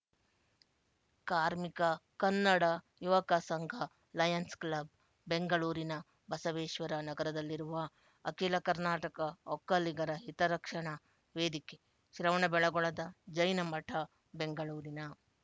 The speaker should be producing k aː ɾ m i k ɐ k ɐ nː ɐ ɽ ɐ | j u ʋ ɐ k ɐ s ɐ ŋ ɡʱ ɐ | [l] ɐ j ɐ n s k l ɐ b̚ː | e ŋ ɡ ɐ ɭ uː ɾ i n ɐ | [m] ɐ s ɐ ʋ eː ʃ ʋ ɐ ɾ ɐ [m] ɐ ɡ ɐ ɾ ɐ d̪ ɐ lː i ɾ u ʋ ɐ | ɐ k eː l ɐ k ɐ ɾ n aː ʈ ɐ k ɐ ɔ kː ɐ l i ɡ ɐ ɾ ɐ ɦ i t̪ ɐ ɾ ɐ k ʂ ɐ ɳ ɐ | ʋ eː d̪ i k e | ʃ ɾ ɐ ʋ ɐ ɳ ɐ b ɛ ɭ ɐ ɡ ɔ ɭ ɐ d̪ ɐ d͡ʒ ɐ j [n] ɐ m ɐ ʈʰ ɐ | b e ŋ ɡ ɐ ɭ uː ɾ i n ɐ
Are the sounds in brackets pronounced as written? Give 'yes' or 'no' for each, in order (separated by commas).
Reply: yes, no, no, yes